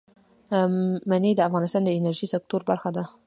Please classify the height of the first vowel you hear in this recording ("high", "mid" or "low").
low